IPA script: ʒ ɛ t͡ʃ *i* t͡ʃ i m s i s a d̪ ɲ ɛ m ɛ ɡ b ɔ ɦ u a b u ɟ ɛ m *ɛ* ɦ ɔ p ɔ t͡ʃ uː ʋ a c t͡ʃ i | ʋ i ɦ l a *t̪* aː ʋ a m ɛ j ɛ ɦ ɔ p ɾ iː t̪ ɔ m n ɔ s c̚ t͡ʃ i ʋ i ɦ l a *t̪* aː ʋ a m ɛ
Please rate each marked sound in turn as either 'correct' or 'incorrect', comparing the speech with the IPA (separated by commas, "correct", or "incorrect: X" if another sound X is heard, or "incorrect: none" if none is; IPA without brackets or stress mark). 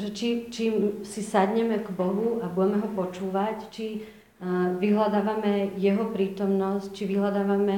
correct, correct, incorrect: d̪, incorrect: d̪